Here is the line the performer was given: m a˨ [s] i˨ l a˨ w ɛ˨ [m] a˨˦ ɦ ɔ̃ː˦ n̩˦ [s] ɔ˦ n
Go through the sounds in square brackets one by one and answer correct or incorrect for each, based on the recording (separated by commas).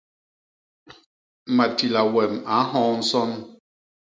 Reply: incorrect, correct, correct